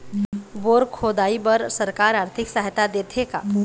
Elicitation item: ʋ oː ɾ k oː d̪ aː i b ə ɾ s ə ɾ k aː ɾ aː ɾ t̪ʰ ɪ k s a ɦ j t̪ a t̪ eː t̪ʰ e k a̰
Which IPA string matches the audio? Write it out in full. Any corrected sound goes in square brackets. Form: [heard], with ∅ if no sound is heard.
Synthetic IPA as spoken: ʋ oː ɾ [kʰ] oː d̪ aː i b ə ɾ s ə ɾ k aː ɾ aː ɾ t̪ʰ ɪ k s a ɦ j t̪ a [d̪] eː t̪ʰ e k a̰

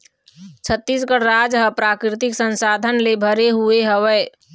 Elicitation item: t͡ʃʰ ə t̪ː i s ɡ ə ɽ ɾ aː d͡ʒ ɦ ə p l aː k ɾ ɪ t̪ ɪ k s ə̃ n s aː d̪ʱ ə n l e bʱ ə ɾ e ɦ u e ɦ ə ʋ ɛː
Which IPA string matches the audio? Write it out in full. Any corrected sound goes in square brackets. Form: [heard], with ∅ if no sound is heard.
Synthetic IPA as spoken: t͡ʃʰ ə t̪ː i s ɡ ə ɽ ɾ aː d͡ʒ ɦ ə p [ɾ] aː k ɾ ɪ t̪ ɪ k s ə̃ n s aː d̪ʱ ə n l e bʱ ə ɾ e ɦ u e ɦ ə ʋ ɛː

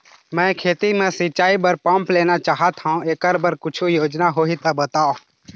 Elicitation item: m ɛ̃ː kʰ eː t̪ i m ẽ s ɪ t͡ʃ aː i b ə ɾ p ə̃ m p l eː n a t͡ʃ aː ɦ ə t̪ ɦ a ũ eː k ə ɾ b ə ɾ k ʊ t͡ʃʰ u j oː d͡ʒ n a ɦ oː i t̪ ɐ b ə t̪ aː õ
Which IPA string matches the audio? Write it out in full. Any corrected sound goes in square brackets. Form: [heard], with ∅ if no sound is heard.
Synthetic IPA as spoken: m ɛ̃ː kʰ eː t̪ i m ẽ s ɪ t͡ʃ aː i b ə ɾ p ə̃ m p l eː n a t͡ʃ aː ɦ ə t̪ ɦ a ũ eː k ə ɾ b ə ɾ k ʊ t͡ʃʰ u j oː d͡ʒ n a ɦ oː i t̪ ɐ b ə t̪ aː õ

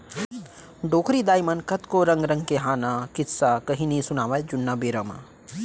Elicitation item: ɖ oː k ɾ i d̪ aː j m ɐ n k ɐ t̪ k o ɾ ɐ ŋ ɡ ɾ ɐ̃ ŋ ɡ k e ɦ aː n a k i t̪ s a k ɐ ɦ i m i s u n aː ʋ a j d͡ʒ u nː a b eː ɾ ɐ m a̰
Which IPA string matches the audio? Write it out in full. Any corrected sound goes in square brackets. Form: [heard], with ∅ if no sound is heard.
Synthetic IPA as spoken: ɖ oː k ɾ i d̪ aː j m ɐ n k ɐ t̪ k o ɾ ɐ ŋ ɡ ɾ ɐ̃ ŋ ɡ k e ɦ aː n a k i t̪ s a k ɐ ɦ i [n] i s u n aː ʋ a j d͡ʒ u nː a b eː ɾ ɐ m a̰

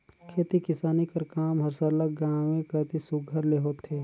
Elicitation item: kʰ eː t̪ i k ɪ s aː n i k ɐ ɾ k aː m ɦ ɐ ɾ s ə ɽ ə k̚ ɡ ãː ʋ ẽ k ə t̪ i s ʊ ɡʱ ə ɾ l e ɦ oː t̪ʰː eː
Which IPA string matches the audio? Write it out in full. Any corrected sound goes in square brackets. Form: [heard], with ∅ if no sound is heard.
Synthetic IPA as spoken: kʰ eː t̪ i k ɪ s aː n i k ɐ ɾ k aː m ɦ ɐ ɾ s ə [l] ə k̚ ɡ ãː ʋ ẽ k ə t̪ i s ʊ ɡʱ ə ɾ l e ɦ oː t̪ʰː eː

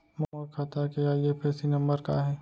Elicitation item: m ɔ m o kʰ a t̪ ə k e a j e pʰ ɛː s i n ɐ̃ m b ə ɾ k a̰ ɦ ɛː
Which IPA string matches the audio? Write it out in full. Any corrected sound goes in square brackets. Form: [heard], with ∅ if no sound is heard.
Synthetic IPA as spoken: m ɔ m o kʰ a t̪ [a] k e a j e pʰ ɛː s i n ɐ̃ m b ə ɾ k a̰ ɦ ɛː

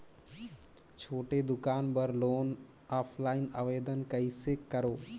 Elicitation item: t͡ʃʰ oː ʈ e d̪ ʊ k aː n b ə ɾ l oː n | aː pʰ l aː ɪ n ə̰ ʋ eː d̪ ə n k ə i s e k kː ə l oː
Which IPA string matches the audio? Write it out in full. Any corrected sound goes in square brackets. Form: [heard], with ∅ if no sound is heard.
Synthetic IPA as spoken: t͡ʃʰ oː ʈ e d̪ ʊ k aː n b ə ɾ l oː n | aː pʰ l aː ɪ n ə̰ ʋ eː d̪ ə n k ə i s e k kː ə [ɾ] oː

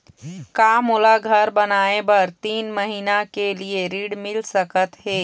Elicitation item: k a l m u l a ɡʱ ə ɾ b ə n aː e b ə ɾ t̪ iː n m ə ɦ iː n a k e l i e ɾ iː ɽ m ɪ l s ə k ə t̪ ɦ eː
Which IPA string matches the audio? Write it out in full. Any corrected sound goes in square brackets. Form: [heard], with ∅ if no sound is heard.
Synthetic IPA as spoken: k a [∅] m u l a ɡʱ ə ɾ b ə n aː e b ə ɾ t̪ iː n m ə ɦ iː n a k e l i e ɾ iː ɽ m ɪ l s ə k ə t̪ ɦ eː

